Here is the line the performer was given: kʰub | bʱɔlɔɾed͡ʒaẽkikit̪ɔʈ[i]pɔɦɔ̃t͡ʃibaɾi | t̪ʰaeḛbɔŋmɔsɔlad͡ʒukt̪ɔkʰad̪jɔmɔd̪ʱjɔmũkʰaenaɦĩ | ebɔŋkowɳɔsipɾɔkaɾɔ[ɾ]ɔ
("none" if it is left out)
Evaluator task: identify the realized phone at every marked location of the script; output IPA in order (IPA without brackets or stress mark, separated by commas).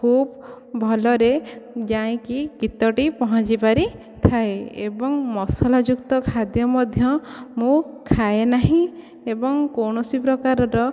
i, ɾ